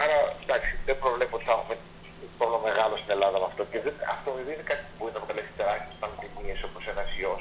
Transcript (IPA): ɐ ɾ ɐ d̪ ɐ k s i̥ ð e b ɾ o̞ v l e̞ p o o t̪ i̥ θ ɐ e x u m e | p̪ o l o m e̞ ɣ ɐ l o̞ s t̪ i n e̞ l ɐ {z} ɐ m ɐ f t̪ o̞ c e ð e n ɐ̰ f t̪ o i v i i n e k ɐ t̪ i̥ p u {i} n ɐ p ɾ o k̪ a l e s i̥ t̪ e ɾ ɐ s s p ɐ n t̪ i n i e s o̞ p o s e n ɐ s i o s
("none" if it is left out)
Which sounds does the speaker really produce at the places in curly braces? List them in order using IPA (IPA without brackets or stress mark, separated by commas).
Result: ð, i